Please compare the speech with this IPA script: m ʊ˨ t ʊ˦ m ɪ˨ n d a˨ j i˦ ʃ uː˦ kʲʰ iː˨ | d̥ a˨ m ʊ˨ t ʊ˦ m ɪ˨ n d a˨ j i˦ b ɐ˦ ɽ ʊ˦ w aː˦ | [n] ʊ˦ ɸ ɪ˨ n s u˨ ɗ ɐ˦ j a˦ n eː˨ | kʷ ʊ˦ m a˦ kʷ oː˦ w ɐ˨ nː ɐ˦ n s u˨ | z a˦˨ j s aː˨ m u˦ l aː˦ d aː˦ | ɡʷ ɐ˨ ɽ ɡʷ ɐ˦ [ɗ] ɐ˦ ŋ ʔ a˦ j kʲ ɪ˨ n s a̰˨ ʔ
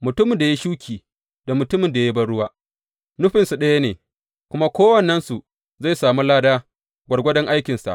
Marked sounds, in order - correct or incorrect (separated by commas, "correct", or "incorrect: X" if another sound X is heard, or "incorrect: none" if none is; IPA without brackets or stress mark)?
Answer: correct, incorrect: d